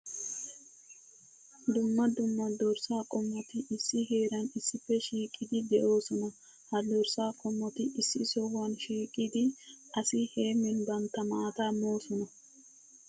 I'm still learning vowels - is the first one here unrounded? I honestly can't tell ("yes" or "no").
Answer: no